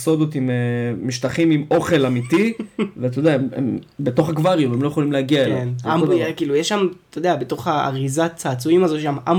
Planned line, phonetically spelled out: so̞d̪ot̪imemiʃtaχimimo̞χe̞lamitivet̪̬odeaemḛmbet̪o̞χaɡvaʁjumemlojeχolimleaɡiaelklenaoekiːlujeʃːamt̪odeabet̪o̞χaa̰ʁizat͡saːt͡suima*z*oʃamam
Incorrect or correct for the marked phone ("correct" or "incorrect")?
correct